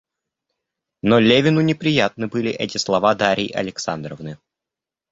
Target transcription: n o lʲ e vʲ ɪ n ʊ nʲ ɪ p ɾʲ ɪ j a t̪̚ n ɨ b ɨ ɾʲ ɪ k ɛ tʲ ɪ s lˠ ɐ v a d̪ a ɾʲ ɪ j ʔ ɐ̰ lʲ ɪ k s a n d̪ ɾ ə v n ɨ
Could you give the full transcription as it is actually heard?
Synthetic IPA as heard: n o lʲ e vʲ ɪ n ʊ nʲ ɪ p ɾʲ ɪ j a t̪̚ n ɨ b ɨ lʲ ɪ ʔ ɛ tʲ ɪ s lˠ ɐ v a d̪ a ɾʲ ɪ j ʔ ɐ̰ lʲ ɪ k s a n d̪ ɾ ə v n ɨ